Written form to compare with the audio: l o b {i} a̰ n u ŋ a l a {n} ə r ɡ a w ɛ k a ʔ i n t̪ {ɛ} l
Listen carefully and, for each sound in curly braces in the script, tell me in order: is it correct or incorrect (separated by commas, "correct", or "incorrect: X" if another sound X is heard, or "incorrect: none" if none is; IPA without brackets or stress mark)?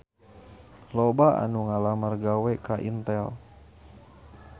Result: incorrect: a, incorrect: m, correct